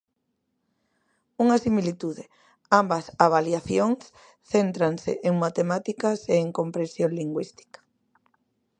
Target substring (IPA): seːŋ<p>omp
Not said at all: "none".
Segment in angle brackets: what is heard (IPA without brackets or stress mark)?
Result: k